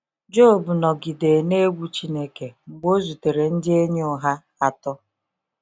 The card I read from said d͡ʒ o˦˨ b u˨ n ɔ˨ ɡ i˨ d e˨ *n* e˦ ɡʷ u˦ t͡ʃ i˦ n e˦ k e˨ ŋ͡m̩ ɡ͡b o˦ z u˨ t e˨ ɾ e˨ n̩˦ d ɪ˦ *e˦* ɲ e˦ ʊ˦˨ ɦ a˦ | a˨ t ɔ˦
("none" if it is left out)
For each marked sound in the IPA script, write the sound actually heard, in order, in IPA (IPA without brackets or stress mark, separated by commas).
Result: n, e˦